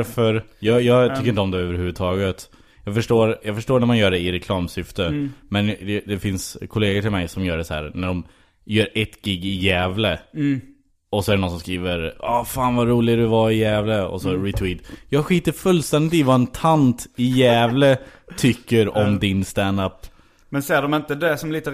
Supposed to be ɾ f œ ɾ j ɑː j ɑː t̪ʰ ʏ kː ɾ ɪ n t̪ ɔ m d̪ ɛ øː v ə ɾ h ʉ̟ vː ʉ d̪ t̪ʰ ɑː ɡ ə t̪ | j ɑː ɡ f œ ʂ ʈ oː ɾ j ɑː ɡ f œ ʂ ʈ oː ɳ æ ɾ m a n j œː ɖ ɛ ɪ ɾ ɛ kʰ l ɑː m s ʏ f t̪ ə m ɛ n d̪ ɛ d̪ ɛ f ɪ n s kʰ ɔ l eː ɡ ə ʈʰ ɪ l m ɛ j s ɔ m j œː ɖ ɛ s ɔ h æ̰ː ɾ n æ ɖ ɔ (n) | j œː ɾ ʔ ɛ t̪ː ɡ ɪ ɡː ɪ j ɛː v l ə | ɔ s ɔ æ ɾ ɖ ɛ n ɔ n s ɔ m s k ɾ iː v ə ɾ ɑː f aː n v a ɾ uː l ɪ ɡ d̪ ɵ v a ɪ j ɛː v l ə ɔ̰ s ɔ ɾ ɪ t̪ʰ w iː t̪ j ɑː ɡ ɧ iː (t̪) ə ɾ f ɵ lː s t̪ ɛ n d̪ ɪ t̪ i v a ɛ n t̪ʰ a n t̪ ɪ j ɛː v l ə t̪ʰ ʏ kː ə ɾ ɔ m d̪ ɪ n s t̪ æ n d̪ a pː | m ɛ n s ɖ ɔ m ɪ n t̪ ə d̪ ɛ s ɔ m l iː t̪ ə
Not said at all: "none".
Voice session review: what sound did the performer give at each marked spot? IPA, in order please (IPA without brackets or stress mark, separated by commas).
m, t̪